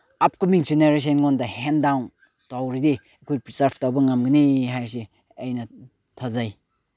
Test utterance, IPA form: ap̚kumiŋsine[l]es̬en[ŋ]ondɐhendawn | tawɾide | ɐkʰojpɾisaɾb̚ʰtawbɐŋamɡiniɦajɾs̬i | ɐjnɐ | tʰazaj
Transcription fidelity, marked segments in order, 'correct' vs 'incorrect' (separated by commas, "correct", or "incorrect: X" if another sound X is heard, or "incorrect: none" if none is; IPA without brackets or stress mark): incorrect: ɾ, correct